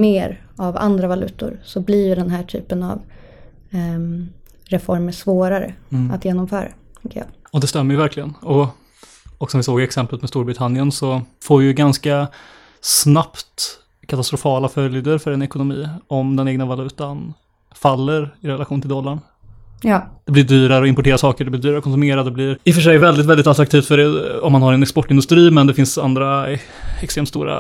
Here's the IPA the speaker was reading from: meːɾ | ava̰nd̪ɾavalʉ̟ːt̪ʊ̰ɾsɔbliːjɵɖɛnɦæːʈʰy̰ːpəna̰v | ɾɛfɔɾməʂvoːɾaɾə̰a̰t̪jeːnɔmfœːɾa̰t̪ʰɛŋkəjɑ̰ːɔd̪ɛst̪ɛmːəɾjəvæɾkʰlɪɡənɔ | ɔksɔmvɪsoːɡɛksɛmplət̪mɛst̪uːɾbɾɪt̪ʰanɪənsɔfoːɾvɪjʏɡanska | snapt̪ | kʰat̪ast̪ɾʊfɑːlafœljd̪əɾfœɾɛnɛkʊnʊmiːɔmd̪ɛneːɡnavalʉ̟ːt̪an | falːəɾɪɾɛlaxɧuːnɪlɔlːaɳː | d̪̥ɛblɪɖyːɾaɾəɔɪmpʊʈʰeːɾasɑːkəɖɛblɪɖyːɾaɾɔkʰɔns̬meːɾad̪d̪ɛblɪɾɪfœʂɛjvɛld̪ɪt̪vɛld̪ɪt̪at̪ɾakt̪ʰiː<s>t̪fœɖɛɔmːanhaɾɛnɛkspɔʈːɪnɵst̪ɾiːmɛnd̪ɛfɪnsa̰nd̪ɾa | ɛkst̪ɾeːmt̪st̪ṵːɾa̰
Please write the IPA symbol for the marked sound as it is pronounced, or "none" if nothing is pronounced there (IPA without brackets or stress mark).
f